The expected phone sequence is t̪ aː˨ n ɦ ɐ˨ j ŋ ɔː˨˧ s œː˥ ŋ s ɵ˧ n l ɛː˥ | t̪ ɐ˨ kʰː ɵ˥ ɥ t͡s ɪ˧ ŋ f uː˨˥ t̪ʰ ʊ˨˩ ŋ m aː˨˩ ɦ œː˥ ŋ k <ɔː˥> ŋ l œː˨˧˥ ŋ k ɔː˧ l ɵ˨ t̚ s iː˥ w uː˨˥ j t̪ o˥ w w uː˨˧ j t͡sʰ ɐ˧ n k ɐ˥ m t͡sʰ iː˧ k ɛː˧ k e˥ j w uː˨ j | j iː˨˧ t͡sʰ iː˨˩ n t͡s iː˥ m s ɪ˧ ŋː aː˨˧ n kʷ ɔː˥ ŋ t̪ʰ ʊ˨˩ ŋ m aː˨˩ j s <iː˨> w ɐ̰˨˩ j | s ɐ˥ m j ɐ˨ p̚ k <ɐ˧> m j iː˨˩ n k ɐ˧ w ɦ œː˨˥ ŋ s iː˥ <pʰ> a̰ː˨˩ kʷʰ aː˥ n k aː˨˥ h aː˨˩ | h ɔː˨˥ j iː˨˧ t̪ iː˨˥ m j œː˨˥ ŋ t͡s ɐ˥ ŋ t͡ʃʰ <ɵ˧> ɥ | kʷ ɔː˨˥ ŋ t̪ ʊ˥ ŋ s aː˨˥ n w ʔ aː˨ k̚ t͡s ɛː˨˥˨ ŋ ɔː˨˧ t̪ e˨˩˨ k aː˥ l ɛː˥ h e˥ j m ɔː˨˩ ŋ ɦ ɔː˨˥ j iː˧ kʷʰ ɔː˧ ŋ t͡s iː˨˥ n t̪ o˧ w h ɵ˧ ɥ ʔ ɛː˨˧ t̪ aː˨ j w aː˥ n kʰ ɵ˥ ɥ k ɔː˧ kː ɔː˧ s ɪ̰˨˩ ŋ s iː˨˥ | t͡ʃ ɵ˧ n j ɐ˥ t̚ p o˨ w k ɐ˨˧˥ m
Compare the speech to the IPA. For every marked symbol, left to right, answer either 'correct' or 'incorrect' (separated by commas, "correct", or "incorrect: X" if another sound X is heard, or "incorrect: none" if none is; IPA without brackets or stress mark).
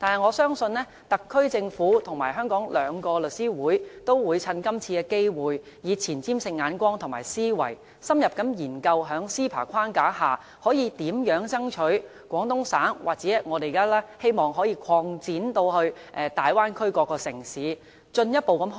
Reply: incorrect: ɔː˨˥, incorrect: iː˥, incorrect: ɐ˨˥, correct, incorrect: ɵ˨˥